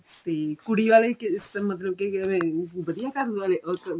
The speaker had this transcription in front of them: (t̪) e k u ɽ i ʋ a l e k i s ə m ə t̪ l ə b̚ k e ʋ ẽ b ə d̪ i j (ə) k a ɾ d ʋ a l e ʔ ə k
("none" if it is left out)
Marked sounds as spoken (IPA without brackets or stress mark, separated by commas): t̪, a